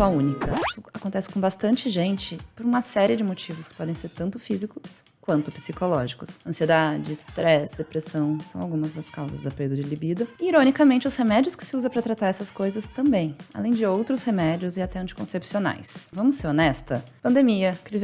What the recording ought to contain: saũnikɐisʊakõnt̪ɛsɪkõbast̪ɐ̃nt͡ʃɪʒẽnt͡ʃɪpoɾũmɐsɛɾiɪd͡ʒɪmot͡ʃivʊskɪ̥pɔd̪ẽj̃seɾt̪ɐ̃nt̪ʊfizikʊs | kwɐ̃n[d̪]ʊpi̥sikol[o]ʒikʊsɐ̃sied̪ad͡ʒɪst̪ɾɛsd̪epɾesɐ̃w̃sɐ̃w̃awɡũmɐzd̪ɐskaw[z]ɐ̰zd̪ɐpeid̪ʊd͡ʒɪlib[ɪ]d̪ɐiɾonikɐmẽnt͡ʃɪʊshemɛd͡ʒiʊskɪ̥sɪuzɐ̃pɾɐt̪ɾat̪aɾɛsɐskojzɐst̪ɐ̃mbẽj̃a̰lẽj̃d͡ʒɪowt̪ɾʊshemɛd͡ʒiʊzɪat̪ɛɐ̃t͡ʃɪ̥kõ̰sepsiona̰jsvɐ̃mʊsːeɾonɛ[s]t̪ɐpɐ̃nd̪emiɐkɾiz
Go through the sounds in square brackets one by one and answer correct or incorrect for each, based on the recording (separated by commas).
incorrect, incorrect, correct, incorrect, correct